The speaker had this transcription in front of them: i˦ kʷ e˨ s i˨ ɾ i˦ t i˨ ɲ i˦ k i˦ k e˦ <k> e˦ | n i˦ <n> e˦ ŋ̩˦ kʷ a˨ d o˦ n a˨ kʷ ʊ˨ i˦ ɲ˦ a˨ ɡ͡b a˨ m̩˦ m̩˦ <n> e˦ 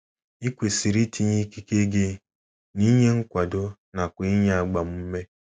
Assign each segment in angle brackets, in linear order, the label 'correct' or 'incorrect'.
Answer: incorrect: ɡ, incorrect: ɲ, incorrect: m

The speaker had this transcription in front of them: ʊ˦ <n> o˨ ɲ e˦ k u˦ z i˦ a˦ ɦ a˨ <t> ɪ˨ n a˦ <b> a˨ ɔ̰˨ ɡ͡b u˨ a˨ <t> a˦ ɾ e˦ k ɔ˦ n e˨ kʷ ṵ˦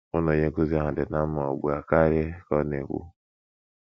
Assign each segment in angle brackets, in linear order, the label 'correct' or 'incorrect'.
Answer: correct, incorrect: d, incorrect: m, incorrect: k

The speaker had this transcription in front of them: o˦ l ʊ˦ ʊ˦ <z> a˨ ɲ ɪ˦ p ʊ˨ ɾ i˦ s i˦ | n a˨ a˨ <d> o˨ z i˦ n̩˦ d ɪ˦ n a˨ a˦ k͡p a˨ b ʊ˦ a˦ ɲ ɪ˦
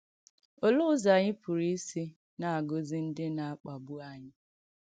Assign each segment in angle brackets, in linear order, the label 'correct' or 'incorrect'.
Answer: correct, incorrect: ɡ

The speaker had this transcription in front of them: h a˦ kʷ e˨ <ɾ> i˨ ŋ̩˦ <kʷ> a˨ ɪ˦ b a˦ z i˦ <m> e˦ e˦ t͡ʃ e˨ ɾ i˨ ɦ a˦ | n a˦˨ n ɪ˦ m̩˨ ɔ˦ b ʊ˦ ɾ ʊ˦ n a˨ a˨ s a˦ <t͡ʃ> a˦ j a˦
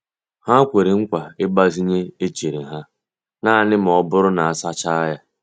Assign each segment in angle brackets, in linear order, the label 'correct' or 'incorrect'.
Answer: correct, correct, incorrect: ɲ, correct

